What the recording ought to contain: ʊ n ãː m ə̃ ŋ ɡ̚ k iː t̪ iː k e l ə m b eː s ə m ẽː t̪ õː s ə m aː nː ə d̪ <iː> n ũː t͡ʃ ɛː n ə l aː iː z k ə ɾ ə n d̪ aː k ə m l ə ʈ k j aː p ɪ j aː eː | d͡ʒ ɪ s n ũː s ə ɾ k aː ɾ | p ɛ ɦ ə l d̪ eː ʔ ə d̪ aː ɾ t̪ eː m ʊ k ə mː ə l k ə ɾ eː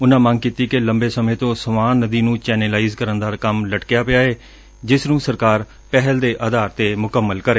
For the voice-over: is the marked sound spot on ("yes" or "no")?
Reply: yes